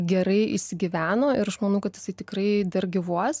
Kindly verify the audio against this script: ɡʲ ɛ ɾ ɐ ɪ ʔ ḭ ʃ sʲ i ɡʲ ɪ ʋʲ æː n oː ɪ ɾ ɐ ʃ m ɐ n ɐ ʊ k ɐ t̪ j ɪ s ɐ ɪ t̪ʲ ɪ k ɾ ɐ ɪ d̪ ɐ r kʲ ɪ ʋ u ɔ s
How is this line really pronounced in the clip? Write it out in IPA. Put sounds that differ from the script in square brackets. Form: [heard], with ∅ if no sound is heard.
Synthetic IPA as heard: ɡʲ ɛ ɾ ɐ ɪ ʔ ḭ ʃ sʲ [ɪ] ɡʲ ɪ ʋʲ æː n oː ɪ ɾ ɐ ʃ m ɐ n ɐ ʊ k ɐ t̪ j ɪ s ɐ ɪ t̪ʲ ɪ k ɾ ɐ ɪ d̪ ɐ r [ɡʲ] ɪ ʋ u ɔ s